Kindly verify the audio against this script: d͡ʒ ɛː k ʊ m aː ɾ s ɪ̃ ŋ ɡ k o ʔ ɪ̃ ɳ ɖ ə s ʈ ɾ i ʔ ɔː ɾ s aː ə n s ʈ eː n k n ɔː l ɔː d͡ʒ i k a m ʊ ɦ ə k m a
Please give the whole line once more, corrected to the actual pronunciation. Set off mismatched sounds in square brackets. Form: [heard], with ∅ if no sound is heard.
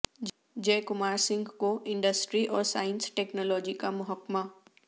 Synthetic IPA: d͡ʒ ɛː k ʊ m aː ɾ s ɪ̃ ŋ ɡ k o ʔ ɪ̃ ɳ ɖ ə s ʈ ɾ i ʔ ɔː ɾ s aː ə n s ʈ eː [∅] k n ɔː l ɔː d͡ʒ i k a m ʊ ɦ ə k m a